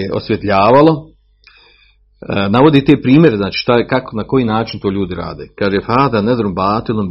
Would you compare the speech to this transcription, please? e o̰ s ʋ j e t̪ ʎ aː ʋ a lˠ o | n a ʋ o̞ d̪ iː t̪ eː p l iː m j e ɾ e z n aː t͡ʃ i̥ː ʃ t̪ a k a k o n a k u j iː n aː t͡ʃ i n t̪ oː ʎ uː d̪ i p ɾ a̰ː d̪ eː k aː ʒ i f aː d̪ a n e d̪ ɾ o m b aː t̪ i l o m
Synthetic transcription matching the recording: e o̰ s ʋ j e t̪ ʎ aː ʋ a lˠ o | n a ʋ o̞ d̪ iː t̪ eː p ɾ iː m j e ɾ e z n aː t͡ʃ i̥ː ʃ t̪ a k a k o n a k o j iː n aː t͡ʃ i n t̪ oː ʎ uː d̪ i ɾ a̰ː d̪ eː k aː ʒ e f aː d̪ a n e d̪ ɾ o m b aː t̪ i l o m